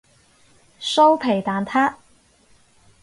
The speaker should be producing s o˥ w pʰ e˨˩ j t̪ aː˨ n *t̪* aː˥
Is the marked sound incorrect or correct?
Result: incorrect: t̪ʰ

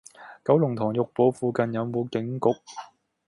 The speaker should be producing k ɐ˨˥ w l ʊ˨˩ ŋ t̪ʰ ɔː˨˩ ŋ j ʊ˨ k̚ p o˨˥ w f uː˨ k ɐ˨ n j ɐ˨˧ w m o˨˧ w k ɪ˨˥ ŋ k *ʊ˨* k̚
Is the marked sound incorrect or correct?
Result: correct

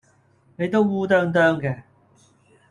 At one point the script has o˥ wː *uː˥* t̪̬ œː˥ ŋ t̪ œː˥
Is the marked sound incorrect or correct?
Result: correct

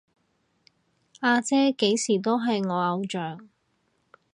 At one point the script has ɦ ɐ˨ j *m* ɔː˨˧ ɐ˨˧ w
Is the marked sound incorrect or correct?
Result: incorrect: ŋ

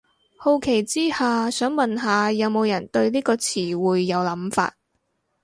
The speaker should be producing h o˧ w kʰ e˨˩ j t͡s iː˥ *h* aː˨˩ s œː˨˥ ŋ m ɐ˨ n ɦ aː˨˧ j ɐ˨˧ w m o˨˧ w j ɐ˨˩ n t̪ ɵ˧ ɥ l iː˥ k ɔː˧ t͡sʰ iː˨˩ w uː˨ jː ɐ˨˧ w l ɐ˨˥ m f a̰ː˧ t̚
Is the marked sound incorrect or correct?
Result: correct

